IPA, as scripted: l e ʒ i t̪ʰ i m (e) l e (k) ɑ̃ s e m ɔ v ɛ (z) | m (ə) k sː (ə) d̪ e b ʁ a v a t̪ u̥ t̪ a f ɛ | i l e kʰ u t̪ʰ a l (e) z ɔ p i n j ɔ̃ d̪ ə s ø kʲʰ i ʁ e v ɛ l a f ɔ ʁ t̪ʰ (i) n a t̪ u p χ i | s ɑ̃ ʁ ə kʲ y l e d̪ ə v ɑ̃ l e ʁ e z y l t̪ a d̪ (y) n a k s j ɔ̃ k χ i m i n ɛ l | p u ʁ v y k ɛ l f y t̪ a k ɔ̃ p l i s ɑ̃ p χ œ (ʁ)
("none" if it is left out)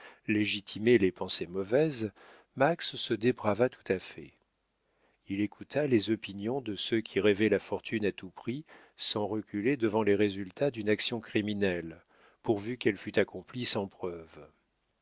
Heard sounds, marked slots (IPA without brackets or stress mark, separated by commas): e, p, z, a, ə, e, y, y, v